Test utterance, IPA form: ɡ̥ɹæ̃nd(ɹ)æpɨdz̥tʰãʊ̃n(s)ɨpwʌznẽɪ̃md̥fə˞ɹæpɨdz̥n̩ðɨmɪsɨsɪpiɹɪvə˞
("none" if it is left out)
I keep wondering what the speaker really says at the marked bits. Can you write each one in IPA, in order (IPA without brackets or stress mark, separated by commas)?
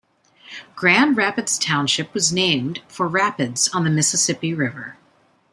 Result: ɹ, ʃ